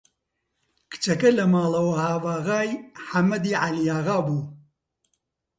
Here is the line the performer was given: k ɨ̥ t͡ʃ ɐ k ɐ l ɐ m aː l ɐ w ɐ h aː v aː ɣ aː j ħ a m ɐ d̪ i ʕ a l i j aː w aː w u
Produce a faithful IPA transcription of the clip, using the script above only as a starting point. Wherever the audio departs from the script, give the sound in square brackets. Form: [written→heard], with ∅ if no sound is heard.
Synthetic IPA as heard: k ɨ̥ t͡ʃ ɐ k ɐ l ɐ m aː l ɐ w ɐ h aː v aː ɣ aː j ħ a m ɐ d̪ i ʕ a l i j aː [w→ɣ] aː [w→b] u